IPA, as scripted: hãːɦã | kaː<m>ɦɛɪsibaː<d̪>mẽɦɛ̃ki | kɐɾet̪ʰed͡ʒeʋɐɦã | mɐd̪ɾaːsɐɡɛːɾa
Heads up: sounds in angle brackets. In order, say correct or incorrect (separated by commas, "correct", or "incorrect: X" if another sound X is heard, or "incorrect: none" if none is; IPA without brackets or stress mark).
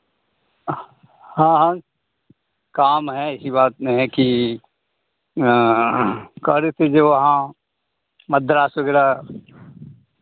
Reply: correct, incorrect: t̪